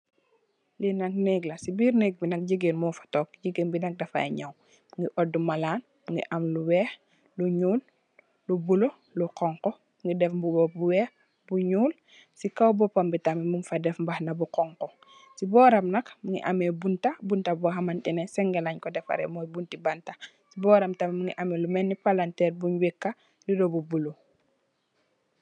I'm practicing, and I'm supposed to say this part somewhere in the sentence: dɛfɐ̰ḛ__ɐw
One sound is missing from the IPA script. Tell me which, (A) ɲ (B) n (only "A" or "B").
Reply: A